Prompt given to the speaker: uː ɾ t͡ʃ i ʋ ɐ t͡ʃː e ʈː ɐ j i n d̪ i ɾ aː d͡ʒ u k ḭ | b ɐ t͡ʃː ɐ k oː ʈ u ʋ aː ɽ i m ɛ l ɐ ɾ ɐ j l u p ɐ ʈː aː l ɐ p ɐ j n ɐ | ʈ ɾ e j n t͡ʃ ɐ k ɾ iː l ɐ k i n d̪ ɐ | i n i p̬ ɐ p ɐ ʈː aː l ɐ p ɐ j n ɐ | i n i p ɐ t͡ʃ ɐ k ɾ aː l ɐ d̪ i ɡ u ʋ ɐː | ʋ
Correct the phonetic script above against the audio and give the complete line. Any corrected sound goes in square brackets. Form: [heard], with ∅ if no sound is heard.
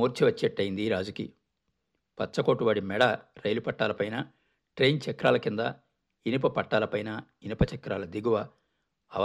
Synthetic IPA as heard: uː ɾ t͡ʃ i ʋ ɐ t͡ʃː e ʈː ɐ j i n d̪ i ɾ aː d͡ʒ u k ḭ | [p] ɐ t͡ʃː ɐ k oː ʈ u ʋ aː ɽ i m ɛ [ɽ] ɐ ɾ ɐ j l u p ɐ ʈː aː l ɐ p ɐ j n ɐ | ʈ ɾ e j n t͡ʃ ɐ k ɾ [aː] l ɐ k i n d̪ ɐ | i n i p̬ ɐ p ɐ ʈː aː l ɐ p ɐ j n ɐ | i n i p ɐ t͡ʃ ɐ k ɾ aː l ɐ d̪ i ɡ u ʋ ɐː | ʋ